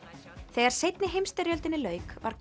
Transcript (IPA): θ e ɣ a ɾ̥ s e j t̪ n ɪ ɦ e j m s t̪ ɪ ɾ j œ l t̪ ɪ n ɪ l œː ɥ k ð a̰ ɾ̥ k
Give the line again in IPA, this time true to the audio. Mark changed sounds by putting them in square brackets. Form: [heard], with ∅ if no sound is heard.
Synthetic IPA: θ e ɣ a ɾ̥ s e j t̪ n ɪ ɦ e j m s t̪ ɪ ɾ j œ l t̪ ɪ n ɪ l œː ɥ k [v] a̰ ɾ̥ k

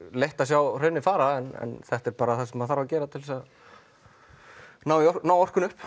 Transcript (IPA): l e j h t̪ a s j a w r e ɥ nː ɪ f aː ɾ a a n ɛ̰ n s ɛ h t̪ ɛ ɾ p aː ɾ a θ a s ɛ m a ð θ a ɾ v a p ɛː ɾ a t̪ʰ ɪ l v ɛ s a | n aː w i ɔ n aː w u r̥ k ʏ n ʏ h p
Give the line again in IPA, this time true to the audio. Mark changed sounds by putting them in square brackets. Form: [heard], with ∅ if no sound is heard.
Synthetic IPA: l e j h t̪ a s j a w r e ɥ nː ɪ f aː ɾ a [ɛ] n ɛ̰ n [θ] ɛ h t̪ ɛ ɾ p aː ɾ a θ a s ɛ m a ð θ a ɾ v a [c] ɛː ɾ a t̪ʰ ɪ l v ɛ s a | n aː w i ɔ n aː w [ɔ] r̥ k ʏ n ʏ h p

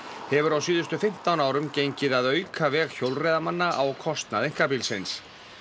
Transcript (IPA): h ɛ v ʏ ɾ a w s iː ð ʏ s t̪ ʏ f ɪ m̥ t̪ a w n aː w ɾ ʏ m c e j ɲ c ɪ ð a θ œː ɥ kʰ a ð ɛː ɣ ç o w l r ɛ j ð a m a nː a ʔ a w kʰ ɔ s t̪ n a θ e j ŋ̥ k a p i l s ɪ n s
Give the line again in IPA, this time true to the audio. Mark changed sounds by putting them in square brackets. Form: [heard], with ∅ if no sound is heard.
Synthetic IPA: h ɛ v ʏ ɾ a w s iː ð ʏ s t̪ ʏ f ɪ m̥ t̪ a w n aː w ɾ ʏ m c e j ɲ c ɪ ð a [ð] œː ɥ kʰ a [v] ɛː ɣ ç o w l r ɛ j ð a m a nː a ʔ a w kʰ ɔ s t̪ n a [ð] e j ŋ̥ k a p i l s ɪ n s

